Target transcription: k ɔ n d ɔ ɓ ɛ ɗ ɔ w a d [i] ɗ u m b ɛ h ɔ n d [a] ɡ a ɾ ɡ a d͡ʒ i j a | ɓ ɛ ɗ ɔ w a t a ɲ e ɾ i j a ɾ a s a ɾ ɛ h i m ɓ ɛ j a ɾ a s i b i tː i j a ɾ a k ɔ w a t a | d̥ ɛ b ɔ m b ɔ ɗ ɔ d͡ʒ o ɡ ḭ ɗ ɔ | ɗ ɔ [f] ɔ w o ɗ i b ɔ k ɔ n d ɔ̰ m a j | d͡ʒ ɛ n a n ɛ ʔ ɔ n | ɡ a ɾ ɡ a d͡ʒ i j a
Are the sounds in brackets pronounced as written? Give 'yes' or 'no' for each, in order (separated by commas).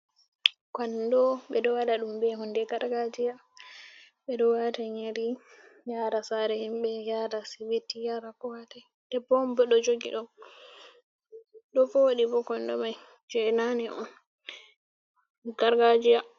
no, no, yes